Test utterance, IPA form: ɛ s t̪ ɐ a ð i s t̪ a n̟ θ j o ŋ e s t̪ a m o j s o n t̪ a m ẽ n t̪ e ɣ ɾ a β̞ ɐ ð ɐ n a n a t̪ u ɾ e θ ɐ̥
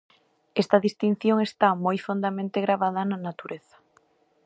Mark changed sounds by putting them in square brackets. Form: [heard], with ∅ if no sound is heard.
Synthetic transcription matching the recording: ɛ s t̪ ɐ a ð i s t̪ [i] n̟ θ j o ŋ e s t̪ a m o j [f] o n [d̪] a m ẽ n t̪ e ɣ ɾ a β̞ [a] ð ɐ n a n a t̪ u ɾ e θ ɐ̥